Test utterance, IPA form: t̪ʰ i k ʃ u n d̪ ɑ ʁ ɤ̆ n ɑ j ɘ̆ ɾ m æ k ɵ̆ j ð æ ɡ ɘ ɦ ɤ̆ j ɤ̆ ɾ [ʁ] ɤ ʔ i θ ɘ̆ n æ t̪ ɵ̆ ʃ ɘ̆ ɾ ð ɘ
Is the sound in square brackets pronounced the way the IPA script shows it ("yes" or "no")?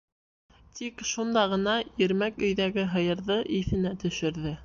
no